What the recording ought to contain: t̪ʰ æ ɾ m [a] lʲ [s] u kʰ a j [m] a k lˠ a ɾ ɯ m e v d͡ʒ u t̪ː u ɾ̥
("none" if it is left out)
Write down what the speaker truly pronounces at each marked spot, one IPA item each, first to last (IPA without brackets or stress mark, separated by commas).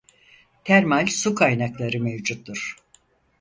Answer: a, s, n